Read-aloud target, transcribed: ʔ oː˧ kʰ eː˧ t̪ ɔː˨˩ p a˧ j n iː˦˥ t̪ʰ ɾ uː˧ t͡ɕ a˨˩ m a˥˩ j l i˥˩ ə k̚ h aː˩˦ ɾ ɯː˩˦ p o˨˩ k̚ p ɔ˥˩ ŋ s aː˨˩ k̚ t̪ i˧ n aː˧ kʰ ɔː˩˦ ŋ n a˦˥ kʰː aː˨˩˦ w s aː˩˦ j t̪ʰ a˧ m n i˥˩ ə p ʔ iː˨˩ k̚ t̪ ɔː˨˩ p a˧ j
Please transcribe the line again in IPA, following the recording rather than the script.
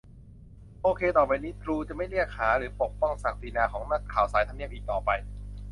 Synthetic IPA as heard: ʔ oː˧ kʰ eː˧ t̪ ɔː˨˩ p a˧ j n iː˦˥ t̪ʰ ɾ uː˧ t͡ɕ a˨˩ m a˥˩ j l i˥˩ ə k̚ h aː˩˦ ɾ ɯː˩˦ p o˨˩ k̚ p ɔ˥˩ ŋ s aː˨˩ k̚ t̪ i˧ n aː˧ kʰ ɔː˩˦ ŋ n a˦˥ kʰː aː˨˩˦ w s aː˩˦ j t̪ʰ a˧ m n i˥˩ ə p ʔ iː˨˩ k̚ t̪ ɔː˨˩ p a˧ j